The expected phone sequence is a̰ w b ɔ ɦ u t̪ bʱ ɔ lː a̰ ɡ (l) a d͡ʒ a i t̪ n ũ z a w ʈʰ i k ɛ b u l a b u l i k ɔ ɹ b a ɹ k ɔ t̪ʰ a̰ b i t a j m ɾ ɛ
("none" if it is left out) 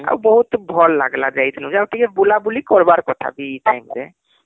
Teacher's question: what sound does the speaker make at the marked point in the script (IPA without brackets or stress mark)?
l